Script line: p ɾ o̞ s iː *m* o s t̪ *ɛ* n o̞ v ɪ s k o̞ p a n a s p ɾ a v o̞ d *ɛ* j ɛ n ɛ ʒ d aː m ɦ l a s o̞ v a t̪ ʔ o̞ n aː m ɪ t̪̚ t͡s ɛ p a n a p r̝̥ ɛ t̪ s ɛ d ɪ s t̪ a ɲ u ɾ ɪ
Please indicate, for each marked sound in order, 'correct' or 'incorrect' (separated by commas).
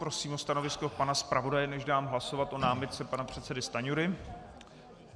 correct, incorrect, incorrect